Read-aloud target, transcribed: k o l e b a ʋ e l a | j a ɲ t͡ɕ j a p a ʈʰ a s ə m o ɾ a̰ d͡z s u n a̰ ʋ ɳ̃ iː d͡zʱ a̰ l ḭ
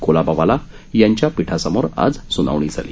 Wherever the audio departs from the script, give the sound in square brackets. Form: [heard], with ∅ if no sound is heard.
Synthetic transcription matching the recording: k o l [a] b a ʋ [a] l a | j a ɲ t͡ɕ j a p [i] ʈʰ a s ə m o ɾ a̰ d͡z s u n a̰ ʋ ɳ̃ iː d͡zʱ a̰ l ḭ

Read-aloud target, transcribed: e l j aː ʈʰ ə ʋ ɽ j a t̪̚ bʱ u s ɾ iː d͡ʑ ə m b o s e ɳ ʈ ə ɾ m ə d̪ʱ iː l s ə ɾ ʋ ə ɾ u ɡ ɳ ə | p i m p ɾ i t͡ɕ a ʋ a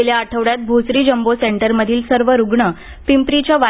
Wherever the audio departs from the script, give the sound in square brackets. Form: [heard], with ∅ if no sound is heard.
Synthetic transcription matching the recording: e l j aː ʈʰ ə ʋ ɽ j a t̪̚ bʱ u s ɾ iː d͡ʑ ə m b o s e ɳ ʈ ə ɾ m ə d̪ʱ iː l s ə ɾ ʋ ə ɾ u ɡ ɳ ə | p i m p ɾ i t͡ɕ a ʋ a

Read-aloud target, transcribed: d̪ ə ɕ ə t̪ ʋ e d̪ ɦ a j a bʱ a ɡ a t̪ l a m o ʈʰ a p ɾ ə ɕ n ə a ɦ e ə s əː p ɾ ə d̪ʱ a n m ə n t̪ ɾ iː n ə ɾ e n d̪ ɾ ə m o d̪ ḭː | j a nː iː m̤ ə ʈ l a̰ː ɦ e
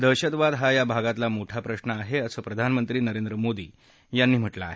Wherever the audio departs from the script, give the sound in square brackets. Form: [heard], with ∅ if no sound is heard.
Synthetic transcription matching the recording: d̪ ə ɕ ə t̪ ʋ [a] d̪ ɦ a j a bʱ a ɡ a t̪ l a m o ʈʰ a p ɾ ə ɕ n ə a ɦ e ə s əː p ɾ ə d̪ʱ a n m ə n t̪ ɾ iː n ə ɾ e n d̪ ɾ ə m o d̪ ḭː | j a nː iː m̤ ə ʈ l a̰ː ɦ e

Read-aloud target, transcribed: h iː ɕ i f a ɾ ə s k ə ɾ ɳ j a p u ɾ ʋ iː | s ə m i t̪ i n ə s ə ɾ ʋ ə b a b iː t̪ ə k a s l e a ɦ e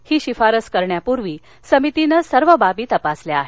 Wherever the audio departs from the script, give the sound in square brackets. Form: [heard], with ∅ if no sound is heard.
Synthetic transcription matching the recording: h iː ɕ i f a ɾ ə s k ə ɾ ɳ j a p u ɾ ʋ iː | s ə m i t̪ i n ə s ə ɾ ʋ ə b a b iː t̪ ə [p] a s l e a ɦ e

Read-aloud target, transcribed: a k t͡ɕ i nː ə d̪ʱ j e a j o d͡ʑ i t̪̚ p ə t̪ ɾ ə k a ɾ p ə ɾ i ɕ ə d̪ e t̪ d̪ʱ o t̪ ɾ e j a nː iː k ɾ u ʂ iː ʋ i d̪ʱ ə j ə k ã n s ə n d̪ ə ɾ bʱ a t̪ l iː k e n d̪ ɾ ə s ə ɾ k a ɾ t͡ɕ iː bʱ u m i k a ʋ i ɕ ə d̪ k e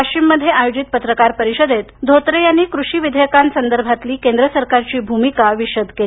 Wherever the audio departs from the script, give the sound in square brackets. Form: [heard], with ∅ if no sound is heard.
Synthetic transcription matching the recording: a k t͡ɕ i [mː] ə d̪ʱ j e a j o d͡ʑ i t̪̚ p ə t̪ ɾ ə k a ɾ p ə ɾ i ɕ ə d̪ e t̪ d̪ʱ o t̪ ɾ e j a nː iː k ɾ u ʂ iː ʋ i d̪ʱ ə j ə k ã n s ə n d̪ ə ɾ bʱ a t̪ l iː k e n d̪ ɾ ə s ə ɾ k a ɾ t͡ɕ iː bʱ u m i k a ʋ i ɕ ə d̪ k e

